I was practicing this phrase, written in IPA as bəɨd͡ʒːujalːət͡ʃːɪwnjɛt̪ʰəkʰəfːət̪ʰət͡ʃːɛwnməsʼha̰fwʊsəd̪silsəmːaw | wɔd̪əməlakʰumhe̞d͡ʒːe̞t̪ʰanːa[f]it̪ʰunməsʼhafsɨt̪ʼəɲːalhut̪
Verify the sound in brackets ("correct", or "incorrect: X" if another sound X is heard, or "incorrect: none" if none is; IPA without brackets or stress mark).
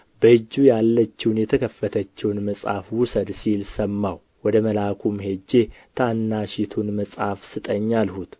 incorrect: ʃ